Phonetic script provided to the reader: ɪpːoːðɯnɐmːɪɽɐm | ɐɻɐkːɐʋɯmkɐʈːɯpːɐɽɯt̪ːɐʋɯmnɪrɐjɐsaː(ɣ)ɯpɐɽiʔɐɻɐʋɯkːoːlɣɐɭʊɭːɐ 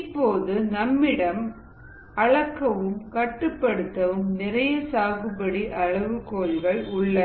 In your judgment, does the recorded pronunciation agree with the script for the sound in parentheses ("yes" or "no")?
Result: yes